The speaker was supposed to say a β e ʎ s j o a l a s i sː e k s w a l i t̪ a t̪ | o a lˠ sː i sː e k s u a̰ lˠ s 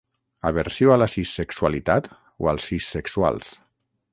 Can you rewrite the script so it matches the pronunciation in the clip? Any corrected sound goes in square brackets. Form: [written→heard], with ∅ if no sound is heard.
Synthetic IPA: a β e [ʎ→ɾ] s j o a l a s i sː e k s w a l i t̪ a t̪ | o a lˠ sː i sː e k s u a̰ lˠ s

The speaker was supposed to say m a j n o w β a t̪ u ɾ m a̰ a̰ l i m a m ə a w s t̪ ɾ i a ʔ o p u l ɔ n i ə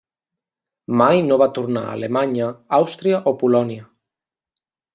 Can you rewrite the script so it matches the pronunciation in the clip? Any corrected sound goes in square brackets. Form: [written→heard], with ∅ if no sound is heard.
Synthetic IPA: m a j n o [w→∅] β a t̪ u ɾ [m→n] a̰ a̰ l [i→e] m a [m→ɲ] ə a w s t̪ ɾ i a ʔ o p u l ɔ n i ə

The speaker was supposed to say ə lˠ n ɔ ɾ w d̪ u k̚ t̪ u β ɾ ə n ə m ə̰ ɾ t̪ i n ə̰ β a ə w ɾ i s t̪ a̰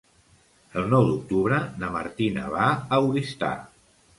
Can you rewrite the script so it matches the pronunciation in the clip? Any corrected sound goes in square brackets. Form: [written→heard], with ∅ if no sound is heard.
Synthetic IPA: ə lˠ n ɔ [ɾ→∅] w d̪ u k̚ t̪ u β ɾ ə n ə m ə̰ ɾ t̪ i n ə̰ β a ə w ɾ i s t̪ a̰

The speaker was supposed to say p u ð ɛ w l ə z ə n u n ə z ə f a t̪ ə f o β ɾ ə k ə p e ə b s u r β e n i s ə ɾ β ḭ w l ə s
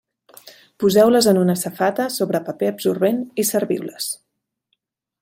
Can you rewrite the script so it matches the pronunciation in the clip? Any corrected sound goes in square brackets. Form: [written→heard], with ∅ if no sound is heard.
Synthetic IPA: p u [ð→z] ɛ w l ə z ə n u n ə [z→s] ə f a t̪ ə [f→s] o β ɾ ə [k→p] ə p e ə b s u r β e n i s ə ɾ β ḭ w l ə s

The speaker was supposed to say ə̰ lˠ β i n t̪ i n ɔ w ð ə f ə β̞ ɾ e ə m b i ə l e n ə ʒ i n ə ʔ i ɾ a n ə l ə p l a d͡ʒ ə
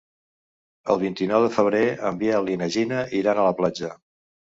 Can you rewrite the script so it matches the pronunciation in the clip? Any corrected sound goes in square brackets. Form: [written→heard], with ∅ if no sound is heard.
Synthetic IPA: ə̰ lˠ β i n t̪ i n ɔ w ð ə f ə β̞ ɾ e ə m b i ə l [e→i] n ə ʒ i n ə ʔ i ɾ a n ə l ə p l a d͡ʒ ə

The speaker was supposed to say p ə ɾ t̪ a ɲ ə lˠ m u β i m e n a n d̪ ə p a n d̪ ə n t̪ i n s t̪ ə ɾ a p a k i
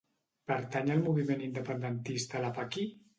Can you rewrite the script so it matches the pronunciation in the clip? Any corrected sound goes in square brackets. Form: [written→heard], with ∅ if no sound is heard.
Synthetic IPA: p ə ɾ t̪ a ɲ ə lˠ m u β i m e n [a→i] n d̪ ə p [a→ə] n d̪ ə n t̪ i [n→∅] s t̪ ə [ɾ→l] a p a k i

